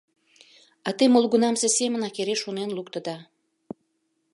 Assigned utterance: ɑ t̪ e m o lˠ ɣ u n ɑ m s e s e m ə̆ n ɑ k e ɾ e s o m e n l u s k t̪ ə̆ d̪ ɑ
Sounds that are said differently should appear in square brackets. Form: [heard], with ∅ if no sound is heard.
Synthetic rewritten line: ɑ t̪ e m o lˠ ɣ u n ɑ m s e s e m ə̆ n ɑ k e ɾ e [ʃ] o [n] e n l u [∅] k t̪ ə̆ d̪ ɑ